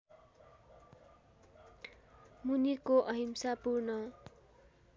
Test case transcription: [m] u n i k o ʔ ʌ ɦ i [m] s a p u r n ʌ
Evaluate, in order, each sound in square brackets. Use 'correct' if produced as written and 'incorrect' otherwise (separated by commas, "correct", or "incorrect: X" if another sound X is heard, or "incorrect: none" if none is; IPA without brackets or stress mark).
correct, correct